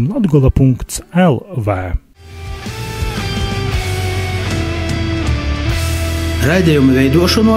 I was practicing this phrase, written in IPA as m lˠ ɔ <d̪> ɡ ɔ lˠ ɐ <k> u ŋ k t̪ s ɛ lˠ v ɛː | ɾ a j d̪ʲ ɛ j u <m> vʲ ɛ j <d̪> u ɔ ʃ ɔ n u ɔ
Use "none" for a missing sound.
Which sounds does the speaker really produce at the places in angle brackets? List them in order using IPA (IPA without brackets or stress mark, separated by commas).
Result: d̪, p, m, d̪